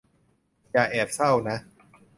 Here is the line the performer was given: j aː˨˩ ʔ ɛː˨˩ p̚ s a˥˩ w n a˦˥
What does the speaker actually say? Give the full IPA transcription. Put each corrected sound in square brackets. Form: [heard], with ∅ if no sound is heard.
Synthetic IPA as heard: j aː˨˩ ʔ ɛː˨˩ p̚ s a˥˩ w n a˦˥